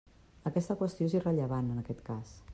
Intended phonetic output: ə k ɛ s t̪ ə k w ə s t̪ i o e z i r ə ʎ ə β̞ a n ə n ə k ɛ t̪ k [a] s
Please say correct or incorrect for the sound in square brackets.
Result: correct